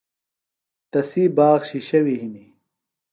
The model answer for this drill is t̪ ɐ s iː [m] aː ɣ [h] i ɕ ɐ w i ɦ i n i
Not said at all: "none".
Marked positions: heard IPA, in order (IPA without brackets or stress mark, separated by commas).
b, ɕ